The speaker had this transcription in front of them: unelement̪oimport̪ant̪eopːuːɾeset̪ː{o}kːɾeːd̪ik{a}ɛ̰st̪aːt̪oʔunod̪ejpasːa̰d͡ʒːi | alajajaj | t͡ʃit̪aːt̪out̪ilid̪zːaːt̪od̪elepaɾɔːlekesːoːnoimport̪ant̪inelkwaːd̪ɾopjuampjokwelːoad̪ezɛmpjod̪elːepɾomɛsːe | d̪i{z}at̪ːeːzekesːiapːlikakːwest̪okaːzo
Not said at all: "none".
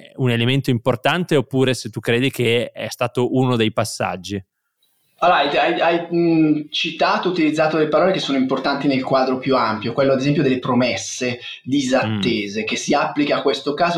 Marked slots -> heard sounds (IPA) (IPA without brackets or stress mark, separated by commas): u, e, z